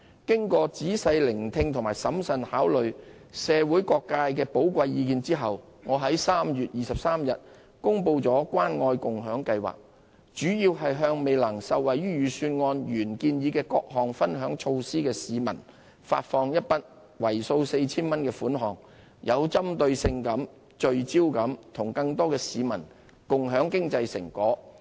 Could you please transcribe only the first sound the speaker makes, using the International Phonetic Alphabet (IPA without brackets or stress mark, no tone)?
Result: k